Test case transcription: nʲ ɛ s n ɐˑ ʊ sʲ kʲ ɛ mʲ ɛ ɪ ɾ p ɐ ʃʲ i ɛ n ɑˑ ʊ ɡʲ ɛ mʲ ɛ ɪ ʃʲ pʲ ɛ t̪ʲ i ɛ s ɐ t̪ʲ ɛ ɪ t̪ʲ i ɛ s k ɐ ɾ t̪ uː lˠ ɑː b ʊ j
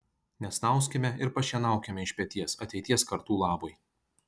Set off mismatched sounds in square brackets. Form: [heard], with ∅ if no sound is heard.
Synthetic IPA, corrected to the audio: nʲ ɛ s n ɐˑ ʊ sʲ kʲ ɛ mʲ ɛ ɪ ɾ p ɐ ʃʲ i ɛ n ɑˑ ʊ [kʲ] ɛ mʲ ɛ ɪ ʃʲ pʲ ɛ t̪ʲ i ɛ s ɐ t̪ʲ ɛ ɪ t̪ʲ i ɛ s k ɐ ɾ t̪ uː lˠ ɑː b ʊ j